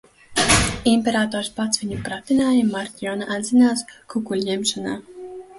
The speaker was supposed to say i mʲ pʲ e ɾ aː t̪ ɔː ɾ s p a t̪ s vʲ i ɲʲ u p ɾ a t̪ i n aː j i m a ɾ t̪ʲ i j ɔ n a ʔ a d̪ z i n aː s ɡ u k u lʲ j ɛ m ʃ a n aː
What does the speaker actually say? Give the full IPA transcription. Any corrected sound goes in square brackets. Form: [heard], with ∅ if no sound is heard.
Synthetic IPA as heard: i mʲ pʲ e ɾ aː t̪ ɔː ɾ s p a t̪ s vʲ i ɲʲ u p ɾ a t̪ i n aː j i m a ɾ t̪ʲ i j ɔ n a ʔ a d̪ z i n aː s [k] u k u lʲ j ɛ m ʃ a n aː